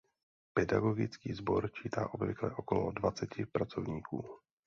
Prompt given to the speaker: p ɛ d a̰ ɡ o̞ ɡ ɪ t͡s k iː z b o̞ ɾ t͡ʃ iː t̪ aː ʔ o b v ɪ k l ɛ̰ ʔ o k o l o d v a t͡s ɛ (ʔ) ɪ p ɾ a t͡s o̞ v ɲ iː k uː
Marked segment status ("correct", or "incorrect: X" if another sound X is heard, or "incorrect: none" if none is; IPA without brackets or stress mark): incorrect: c